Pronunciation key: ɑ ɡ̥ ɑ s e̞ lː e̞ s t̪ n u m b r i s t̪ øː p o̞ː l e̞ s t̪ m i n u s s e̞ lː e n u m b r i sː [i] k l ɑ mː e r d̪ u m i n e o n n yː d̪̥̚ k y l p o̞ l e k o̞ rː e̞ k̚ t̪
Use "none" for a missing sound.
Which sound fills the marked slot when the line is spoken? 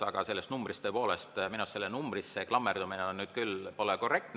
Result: e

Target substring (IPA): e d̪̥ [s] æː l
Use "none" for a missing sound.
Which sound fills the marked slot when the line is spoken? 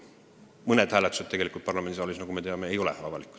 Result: h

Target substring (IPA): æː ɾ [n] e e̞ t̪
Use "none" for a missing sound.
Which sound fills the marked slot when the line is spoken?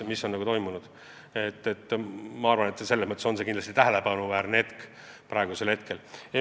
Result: n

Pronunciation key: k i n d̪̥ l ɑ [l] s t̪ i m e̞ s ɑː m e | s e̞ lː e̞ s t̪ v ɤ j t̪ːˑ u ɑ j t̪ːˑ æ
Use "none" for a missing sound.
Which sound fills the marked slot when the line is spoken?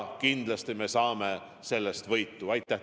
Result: none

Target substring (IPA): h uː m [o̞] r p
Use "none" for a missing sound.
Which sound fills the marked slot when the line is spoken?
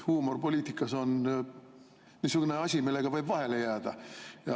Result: o̞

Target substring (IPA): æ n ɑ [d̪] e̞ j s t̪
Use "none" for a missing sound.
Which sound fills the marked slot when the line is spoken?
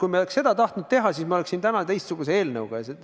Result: t̪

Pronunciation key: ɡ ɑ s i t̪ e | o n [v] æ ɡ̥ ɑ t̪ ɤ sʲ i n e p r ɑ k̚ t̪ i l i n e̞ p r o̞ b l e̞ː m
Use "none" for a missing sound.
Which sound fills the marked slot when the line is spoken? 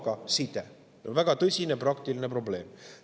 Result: v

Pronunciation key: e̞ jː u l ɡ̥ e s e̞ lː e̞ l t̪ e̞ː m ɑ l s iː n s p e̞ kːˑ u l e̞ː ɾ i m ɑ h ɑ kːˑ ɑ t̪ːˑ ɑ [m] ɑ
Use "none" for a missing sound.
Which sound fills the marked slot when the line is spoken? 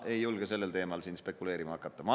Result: m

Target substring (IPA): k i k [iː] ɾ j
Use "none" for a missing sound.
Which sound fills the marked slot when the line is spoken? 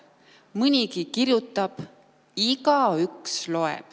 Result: i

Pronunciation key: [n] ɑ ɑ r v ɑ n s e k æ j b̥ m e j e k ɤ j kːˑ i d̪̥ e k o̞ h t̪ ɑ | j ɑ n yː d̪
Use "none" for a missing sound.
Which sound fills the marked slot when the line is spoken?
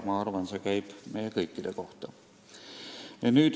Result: m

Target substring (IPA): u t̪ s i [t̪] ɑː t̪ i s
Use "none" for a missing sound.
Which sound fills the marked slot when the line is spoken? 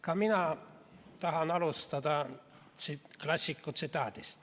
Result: t̪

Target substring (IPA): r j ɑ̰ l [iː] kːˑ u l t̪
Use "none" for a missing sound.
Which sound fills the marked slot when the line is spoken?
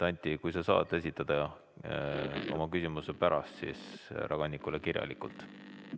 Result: i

